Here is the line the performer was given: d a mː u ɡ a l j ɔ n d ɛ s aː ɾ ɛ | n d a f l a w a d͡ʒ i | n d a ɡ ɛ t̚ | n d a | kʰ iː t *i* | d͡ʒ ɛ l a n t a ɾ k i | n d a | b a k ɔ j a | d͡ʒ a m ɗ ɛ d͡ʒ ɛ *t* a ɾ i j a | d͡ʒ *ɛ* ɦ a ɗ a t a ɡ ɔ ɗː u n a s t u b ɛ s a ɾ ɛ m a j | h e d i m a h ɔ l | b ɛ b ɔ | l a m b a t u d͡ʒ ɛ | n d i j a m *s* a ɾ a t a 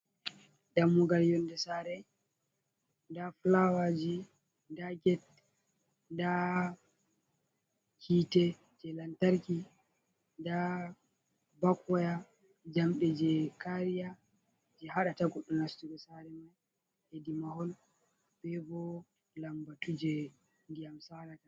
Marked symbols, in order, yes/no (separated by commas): no, no, yes, yes